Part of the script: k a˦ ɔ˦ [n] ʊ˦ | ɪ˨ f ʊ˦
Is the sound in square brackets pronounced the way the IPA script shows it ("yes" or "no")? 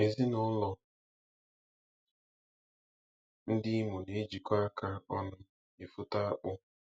yes